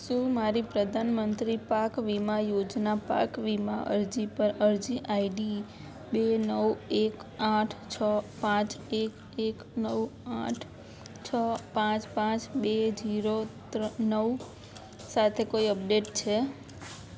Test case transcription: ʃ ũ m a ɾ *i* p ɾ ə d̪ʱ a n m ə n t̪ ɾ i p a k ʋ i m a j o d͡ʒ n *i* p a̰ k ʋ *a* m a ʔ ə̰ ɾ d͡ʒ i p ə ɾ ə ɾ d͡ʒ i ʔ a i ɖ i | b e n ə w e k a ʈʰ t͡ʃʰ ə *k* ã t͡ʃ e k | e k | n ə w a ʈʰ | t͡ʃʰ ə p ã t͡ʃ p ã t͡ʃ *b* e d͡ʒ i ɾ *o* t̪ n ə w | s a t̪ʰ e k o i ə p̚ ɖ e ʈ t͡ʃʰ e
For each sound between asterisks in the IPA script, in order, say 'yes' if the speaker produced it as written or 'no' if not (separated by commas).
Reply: yes, no, no, no, yes, yes